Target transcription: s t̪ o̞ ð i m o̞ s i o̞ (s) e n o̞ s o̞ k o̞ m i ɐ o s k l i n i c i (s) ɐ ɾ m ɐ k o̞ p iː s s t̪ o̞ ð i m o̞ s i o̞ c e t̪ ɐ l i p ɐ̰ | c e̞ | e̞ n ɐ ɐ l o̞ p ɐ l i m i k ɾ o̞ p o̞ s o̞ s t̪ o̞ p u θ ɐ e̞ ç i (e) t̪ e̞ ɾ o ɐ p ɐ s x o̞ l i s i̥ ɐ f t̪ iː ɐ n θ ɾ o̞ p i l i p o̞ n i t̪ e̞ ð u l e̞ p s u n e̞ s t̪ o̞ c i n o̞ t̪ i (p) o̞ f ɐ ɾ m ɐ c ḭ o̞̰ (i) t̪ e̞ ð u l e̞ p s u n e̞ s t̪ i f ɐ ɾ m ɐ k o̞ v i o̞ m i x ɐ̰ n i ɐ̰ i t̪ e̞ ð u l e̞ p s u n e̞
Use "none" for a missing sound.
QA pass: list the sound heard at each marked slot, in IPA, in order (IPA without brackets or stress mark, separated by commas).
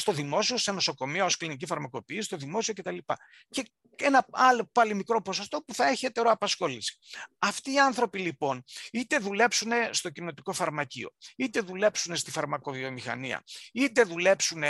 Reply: s, f, e, k, i